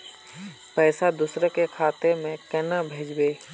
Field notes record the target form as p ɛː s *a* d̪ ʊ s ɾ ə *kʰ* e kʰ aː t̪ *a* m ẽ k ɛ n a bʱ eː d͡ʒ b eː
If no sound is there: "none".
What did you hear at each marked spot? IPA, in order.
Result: a, k, e

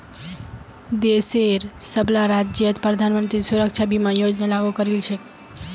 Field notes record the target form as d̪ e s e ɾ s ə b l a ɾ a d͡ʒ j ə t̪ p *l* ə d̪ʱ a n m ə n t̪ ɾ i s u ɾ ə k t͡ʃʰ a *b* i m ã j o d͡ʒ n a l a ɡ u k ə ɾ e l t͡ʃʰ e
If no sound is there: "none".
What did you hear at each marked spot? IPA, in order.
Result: ɾ, b

